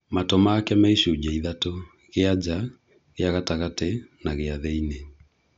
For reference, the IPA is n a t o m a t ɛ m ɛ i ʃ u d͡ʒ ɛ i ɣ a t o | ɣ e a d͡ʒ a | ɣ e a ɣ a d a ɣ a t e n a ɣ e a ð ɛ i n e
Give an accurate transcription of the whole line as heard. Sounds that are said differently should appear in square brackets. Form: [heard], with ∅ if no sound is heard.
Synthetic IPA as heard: [m] a t o m a [k] ɛ m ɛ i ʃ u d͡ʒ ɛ i [ð] a t o | ɣ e a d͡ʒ a | ɣ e a ɣ a [t] a ɣ a t e n a ɣ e a ð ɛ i n e